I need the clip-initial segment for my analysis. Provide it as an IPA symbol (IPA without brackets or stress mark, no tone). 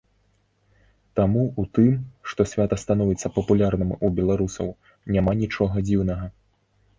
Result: t̪